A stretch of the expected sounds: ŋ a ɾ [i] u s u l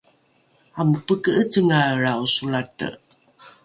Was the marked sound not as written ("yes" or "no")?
yes